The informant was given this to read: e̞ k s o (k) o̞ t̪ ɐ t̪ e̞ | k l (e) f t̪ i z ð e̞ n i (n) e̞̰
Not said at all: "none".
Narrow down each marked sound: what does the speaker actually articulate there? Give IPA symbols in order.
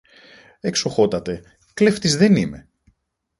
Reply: x, e, m

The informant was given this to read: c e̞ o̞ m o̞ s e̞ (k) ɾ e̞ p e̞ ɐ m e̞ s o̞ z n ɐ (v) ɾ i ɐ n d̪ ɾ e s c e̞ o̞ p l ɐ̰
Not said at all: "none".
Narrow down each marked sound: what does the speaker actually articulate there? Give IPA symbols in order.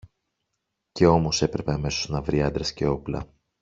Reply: p, v

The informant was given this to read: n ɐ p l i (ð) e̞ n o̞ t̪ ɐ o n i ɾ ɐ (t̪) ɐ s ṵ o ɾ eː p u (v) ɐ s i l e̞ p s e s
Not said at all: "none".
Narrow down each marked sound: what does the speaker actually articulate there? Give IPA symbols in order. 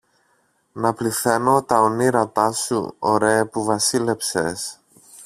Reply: θ, t̪, v

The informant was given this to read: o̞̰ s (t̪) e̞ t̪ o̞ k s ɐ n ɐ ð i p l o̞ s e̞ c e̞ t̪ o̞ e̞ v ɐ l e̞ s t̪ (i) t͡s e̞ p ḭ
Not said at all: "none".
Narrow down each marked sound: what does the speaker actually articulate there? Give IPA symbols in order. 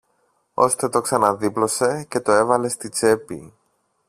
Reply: t̪, i

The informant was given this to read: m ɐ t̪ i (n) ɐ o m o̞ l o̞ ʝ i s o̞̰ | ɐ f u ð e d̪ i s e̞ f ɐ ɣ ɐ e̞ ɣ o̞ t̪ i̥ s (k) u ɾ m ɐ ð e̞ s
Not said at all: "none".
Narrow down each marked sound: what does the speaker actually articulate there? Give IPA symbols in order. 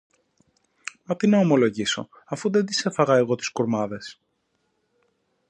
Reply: n, k

